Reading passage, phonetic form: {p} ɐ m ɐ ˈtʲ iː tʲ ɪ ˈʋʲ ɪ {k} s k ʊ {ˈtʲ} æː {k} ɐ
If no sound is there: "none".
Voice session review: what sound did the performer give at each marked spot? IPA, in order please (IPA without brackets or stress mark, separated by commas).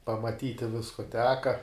p, none, tʲ, k